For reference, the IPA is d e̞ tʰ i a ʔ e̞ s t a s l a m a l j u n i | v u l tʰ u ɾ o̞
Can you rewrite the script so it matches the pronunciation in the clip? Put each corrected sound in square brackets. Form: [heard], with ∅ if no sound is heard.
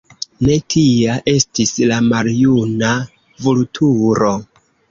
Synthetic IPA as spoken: [n] e̞ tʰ i a ʔ e̞ s t [i] s l a m a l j u n [a] | v u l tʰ u ɾ o̞